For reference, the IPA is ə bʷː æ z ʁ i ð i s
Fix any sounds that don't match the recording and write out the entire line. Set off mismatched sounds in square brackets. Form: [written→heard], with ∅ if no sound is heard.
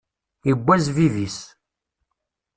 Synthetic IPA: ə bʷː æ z [ʁ→v] i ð i s